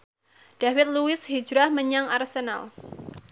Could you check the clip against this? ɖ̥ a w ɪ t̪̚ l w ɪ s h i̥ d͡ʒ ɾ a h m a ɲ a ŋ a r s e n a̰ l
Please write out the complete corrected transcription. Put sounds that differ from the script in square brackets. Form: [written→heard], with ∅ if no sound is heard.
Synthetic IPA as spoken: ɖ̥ a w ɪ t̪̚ l [w→u] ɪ s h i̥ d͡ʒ ɾ a h m [a→ə] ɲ a ŋ a r s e n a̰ l

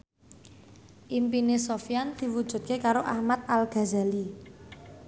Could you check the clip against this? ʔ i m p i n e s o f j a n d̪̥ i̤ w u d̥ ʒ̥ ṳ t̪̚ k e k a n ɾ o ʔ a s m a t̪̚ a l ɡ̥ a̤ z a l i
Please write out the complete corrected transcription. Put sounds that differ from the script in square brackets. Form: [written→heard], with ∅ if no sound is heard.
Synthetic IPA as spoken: ʔ i m p i n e s o f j a n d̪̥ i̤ w u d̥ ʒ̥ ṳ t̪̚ k e k a [n→∅] ɾ o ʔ a [s→h] m a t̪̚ a l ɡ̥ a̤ z a l i

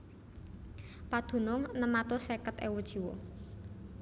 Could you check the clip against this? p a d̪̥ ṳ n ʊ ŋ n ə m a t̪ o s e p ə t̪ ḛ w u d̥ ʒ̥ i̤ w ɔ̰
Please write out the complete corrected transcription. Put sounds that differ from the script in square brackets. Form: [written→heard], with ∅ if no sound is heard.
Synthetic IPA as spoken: p a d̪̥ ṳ n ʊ ŋ n ə m a t̪ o s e [p→k] ə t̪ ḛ w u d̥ ʒ̥ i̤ w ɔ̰

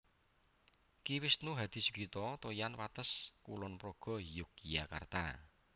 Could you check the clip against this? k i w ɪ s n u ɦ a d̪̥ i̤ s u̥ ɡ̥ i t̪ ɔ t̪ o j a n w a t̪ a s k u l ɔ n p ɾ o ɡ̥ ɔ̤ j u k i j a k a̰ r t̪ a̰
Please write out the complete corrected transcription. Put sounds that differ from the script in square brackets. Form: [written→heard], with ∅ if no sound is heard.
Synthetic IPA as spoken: k i w ɪ s n u ɦ a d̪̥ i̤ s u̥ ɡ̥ i t̪ ɔ t̪ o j a n w a t̪ [a→ə] s k u l ɔ n p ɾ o ɡ̥ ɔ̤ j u k i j a k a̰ r t̪ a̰

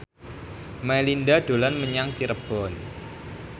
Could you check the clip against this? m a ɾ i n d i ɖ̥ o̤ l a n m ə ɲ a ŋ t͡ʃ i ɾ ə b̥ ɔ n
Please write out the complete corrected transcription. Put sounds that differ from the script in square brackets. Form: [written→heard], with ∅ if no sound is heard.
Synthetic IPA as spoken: m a [ɾ→l] i n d [i→a] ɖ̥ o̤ l a n m ə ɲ a ŋ t͡ʃ i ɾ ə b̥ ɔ n

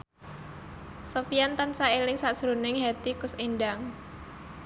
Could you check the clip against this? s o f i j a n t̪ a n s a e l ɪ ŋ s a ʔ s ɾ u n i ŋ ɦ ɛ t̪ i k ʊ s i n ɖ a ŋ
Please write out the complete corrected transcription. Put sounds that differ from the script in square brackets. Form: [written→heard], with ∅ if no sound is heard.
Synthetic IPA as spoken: s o f i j a n t̪ a n s a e l ɪ ŋ s a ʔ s ɾ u n [i→ɪ] ŋ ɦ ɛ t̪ i k ʊ s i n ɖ a ŋ

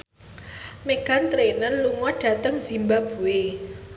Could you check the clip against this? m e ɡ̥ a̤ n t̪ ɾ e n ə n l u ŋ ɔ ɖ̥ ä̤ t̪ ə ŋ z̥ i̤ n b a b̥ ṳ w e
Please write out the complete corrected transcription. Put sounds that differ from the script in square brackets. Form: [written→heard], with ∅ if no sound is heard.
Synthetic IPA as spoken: m e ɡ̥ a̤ n t̪ ɾ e n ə n l u ŋ ɔ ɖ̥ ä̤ t̪ ə ŋ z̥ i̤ [n→m] b a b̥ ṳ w e

